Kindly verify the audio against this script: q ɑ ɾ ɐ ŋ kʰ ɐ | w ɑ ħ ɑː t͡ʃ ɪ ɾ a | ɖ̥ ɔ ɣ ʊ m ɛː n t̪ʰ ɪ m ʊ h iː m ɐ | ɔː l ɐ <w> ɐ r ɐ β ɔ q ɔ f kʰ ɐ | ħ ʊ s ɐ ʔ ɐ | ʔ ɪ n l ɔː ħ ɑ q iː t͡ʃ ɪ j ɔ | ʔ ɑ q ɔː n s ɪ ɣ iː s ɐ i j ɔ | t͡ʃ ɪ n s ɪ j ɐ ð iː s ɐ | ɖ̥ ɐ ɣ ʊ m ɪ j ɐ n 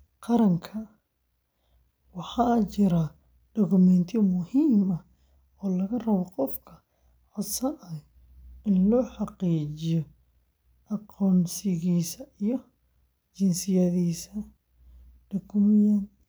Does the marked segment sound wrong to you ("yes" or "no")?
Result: yes